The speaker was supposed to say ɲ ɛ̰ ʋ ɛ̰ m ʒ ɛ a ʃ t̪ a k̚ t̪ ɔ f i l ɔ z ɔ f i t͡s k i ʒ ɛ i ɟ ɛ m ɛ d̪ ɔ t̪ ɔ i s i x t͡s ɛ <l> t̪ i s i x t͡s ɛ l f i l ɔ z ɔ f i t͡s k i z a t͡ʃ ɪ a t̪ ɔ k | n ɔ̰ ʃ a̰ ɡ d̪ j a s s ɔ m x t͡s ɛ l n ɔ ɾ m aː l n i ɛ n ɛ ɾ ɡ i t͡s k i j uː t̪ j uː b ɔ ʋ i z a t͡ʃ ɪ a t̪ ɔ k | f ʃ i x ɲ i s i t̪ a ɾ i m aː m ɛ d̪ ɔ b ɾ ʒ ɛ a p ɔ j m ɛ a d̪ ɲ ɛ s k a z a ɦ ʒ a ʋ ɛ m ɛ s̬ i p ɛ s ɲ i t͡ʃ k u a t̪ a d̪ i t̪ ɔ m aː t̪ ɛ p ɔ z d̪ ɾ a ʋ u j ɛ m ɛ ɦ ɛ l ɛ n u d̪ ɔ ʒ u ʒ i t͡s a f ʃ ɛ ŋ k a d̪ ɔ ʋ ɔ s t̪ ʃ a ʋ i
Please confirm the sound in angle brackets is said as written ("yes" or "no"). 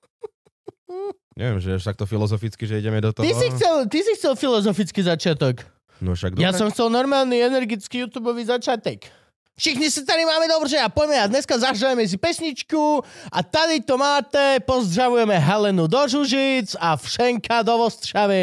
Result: yes